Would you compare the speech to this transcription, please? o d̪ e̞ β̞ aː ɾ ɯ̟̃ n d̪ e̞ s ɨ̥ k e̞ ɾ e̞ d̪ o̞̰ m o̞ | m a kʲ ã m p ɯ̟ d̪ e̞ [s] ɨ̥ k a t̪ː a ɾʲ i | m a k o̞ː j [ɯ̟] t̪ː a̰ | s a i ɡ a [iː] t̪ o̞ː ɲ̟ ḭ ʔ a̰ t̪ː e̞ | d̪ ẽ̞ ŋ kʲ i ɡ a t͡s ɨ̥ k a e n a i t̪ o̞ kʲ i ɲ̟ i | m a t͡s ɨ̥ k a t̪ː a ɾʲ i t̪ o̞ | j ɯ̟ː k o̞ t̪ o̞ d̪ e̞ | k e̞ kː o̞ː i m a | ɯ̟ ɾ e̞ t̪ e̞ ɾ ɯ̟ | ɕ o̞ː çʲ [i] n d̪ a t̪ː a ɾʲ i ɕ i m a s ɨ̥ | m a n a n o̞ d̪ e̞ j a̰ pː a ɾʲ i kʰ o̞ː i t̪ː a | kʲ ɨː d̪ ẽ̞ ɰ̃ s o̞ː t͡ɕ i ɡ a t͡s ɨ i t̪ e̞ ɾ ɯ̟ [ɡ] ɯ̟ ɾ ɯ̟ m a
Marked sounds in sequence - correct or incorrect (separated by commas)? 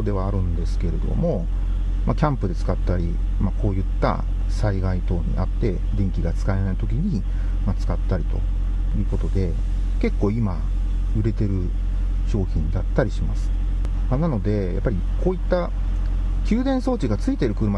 incorrect, correct, incorrect, incorrect, incorrect